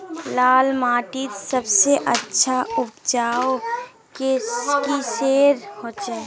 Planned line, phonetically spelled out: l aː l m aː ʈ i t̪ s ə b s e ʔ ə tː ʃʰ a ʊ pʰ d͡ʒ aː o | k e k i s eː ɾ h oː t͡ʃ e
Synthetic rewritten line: l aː l m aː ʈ i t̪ s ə b s e ʔ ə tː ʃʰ a ʊ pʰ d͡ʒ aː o | k e k i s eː ɾ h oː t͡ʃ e

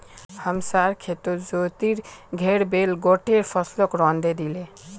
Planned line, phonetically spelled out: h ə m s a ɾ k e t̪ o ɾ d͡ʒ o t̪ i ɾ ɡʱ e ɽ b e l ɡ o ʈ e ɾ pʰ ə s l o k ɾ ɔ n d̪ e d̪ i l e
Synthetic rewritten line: h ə m s a ɾ kʰ e t̪ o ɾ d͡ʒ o t̪ i ɾ ɡʱ e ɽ b e l ɡ o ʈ e ɾ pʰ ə s l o k ɾ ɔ n d̪ e d̪ i l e

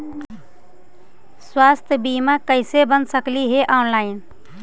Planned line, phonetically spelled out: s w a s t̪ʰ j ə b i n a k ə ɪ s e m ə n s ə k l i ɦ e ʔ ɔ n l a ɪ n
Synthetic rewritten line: s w a s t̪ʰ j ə b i m a k ə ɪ s e b ə n s ə k l i ɦ e ʔ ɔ n l a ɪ n

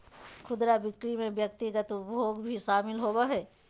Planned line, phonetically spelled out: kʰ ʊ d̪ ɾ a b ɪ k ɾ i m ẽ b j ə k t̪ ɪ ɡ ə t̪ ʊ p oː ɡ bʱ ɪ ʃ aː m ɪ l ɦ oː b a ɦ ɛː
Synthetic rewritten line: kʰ ʊ d̪ ɾ a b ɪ k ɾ i m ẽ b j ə k t̪ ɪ ɡ ə t̪ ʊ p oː ɡ bʱ i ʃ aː m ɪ l ɦ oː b a ɦ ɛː

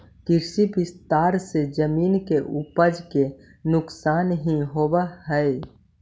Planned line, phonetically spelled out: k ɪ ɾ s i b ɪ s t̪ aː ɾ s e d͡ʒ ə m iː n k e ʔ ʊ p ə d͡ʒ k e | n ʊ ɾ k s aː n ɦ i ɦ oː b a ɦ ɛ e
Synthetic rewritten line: k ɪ ɾ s i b ɪ s t̪ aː ɾ s e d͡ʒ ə m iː n k e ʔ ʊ p ə d͡ʒ k e | n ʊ k s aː n ɦ i ɦ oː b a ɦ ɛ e

